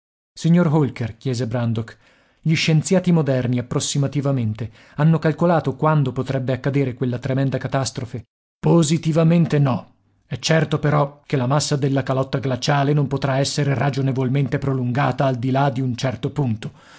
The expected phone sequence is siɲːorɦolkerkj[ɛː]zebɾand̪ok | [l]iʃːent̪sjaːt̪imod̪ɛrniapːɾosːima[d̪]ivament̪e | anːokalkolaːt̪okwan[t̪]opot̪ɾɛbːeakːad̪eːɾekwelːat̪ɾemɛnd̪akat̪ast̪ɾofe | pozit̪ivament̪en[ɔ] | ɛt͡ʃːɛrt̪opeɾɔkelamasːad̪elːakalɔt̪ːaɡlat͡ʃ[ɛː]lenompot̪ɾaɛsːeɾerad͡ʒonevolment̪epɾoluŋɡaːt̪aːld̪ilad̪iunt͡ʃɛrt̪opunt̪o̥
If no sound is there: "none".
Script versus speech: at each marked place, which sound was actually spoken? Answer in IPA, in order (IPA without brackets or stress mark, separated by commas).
ɛː, ʎ, t̪, d̪, ɔ, aː